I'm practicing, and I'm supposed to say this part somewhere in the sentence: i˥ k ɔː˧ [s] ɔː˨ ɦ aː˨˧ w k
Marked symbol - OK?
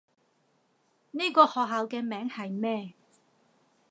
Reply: no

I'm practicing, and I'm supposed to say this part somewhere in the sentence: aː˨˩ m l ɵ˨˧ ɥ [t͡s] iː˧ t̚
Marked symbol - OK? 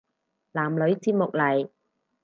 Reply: yes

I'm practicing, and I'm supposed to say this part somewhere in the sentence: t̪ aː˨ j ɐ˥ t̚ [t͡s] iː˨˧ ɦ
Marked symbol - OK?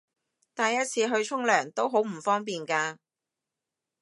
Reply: no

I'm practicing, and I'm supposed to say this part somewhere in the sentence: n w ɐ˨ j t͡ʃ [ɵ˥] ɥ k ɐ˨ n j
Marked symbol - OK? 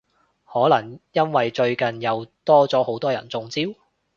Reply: no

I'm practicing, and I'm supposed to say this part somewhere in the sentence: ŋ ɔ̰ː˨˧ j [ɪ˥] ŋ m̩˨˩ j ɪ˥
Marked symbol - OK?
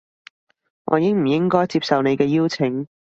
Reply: yes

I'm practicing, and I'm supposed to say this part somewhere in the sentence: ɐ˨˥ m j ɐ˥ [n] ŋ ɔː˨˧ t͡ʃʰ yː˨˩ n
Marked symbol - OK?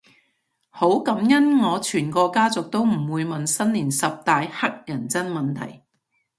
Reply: yes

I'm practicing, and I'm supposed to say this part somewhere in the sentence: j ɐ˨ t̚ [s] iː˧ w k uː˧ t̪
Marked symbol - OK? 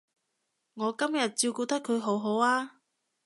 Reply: no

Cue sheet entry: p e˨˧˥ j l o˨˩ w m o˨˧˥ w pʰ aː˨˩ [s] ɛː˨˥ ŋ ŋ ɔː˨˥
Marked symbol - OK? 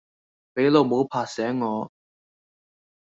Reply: yes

